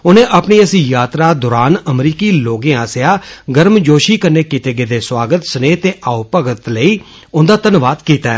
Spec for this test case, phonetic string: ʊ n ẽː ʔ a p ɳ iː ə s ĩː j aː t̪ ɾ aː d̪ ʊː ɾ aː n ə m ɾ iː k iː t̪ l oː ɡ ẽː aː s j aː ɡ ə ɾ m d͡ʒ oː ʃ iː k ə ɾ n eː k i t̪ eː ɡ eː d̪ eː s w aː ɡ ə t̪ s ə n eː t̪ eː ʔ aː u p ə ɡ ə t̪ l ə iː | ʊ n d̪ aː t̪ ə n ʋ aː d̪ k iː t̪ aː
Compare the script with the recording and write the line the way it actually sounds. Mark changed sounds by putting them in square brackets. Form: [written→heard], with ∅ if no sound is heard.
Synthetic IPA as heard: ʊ n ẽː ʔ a p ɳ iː ə s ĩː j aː t̪ ɾ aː d̪ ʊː ɾ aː n ə m ɾ iː k iː [t̪→∅] l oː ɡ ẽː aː s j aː ɡ ə ɾ m d͡ʒ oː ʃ iː k ə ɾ n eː k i t̪ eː ɡ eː d̪ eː s w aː ɡ ə t̪ s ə n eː t̪ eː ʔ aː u p ə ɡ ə t̪ l ə iː | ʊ n d̪ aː t̪ ə n ʋ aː d̪ k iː t̪ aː